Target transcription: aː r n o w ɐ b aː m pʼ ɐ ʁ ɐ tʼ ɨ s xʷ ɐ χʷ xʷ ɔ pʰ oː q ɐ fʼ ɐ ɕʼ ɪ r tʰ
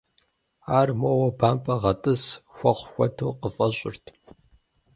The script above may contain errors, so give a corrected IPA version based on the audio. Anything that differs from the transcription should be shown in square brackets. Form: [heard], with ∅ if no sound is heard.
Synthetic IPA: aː r [m] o w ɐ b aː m pʼ ɐ ʁ ɐ tʼ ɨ s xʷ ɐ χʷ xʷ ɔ [tʰ] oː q [ə] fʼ ɐ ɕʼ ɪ r tʰ